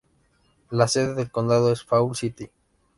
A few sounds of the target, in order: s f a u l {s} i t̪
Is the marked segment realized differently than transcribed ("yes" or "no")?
no